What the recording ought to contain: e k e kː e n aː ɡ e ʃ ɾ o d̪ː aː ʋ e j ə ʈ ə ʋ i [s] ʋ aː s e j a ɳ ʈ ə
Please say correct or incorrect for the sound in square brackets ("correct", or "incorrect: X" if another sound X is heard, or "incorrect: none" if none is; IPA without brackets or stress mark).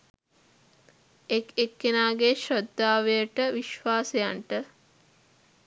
incorrect: ʃ